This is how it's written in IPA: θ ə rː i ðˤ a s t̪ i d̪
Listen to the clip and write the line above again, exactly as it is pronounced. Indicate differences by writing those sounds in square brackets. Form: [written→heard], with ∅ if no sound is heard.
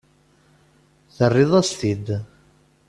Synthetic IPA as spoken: θ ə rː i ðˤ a s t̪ i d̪